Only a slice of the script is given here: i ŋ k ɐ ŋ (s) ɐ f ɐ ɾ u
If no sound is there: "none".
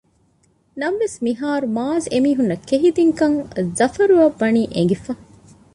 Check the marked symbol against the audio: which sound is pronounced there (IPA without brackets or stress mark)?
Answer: z